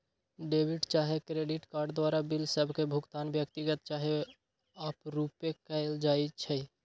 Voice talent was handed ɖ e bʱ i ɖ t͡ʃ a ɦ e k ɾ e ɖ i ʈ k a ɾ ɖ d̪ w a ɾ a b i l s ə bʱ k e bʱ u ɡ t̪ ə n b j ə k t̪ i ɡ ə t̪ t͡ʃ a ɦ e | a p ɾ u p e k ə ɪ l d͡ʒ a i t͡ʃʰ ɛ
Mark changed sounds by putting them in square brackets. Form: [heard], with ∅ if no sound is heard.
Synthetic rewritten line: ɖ e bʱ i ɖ t͡ʃ a ɦ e k ɾ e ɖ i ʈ k a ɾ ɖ d̪ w a ɾ a b i l s ə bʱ k e bʱ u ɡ t̪ [a] n b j ə k t̪ i ɡ ə t̪ t͡ʃ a ɦ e | a p ɾ u p e k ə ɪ l d͡ʒ a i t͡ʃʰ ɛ